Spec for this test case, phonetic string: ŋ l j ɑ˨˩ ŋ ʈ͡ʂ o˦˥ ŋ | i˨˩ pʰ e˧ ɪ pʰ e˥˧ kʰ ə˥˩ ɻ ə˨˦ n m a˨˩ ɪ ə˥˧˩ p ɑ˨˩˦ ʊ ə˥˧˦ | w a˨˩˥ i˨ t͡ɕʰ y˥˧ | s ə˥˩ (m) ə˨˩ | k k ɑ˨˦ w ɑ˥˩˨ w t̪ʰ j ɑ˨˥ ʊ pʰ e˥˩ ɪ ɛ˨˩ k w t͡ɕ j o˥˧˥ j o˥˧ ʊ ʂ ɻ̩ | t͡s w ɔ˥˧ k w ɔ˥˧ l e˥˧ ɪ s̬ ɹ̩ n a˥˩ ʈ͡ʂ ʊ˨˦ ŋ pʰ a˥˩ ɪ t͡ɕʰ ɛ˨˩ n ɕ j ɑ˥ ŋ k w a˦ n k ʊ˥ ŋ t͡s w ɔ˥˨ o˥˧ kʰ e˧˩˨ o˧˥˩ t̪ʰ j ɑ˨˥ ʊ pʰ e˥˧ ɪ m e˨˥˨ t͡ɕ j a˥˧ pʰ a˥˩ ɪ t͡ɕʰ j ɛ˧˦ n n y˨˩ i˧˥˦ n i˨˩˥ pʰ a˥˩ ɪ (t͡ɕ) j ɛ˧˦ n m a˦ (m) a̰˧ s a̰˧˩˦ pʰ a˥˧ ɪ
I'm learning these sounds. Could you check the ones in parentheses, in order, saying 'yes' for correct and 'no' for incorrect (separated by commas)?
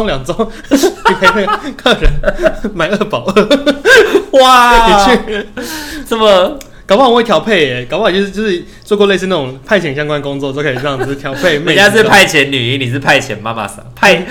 yes, no, yes